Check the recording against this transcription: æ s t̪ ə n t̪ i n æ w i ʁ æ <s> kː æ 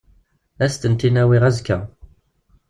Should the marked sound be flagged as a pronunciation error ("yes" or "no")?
yes